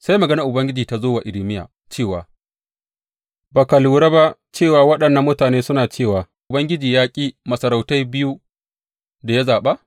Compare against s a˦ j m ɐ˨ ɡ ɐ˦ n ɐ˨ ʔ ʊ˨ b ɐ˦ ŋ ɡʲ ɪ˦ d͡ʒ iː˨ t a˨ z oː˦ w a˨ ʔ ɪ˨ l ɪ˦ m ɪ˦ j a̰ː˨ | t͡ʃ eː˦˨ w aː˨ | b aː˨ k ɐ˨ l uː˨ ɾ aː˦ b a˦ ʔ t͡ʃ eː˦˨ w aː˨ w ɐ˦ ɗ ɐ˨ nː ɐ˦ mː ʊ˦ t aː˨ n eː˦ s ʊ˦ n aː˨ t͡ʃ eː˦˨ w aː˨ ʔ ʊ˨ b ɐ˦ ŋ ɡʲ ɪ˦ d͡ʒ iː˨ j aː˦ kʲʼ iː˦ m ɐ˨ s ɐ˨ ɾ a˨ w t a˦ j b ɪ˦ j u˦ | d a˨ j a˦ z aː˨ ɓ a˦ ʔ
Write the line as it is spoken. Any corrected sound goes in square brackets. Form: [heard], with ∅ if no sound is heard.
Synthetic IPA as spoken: s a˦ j m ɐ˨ ɡ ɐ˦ n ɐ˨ ʔ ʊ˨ b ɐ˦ ŋ ɡʲ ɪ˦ d͡ʒ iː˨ t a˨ z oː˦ w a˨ ʔ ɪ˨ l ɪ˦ m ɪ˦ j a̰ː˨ | t͡ʃ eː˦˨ w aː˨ | b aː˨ k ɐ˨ l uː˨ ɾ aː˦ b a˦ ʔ t͡ʃ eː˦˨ w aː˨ w ɐ˦ ɗ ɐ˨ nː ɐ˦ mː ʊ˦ t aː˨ n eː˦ s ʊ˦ n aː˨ t͡ʃ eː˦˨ w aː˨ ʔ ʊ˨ b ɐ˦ ŋ ɡʲ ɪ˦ d͡ʒ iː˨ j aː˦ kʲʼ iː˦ m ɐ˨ s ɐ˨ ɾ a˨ w t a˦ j b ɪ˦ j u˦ | d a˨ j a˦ z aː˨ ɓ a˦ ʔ